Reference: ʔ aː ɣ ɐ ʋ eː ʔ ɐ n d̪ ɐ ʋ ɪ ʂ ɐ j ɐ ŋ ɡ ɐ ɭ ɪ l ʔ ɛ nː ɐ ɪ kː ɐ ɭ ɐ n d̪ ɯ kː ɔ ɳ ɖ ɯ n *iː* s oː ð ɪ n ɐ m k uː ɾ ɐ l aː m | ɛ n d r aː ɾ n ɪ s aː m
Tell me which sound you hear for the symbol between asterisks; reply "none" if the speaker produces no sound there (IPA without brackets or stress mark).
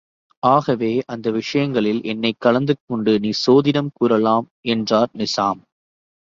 iː